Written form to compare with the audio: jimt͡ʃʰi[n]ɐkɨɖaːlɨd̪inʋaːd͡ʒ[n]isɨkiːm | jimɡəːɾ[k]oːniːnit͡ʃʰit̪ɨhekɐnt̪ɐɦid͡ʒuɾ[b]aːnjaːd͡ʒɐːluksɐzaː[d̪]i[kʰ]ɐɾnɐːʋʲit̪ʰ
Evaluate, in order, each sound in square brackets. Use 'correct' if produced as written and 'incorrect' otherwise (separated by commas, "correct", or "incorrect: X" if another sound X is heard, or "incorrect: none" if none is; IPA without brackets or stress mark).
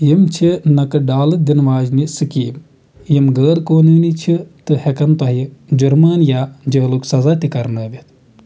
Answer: correct, correct, correct, incorrect: m, incorrect: t̪, incorrect: k